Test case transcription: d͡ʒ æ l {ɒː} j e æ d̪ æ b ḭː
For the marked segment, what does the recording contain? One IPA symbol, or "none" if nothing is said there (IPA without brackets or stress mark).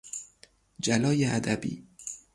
ɒː